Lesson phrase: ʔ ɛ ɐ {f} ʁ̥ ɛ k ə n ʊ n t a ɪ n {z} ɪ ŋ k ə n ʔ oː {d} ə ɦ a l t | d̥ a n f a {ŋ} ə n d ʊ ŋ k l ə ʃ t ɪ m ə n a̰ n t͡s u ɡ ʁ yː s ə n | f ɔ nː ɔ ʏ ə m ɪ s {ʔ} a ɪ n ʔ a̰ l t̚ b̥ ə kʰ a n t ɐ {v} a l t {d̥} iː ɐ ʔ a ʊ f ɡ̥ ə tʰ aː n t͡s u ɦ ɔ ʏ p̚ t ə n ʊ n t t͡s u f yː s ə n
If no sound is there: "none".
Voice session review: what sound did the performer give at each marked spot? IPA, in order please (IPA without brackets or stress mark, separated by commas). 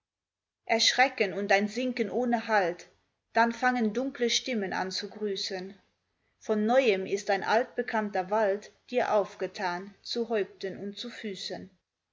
ʃ, z, n, ŋ, t, v, d̥